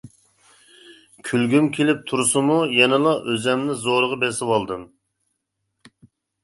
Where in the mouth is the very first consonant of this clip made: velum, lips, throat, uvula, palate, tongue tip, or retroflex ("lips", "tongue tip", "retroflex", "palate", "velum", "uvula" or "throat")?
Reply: velum